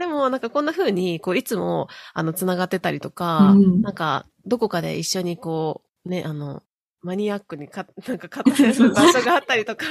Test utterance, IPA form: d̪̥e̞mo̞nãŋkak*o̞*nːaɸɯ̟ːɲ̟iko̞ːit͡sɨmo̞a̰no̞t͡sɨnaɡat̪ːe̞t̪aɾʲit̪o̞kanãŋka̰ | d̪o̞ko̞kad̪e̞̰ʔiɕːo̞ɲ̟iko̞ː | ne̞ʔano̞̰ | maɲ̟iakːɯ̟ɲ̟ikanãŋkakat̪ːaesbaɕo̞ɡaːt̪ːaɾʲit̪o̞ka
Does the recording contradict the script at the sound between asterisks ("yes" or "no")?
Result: yes